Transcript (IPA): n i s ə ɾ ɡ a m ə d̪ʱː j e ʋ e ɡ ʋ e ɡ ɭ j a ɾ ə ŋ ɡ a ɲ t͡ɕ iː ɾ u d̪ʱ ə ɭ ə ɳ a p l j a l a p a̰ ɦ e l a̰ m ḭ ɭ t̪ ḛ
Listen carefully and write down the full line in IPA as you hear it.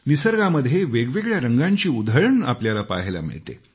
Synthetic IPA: n i s ə ɾ ɡ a m ə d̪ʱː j e ʋ e ɡ ʋ e ɡ ɭ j a ɾ ə ŋ ɡ a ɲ t͡ɕ iː u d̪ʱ ə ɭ ə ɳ a p l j a l a p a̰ ɦ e l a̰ m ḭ ɭ t̪ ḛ